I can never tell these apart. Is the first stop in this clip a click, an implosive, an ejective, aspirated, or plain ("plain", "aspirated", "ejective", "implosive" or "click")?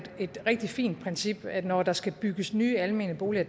plain